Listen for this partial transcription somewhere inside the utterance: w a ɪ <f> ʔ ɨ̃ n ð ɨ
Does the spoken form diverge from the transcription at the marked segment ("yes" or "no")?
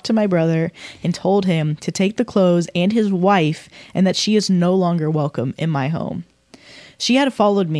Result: no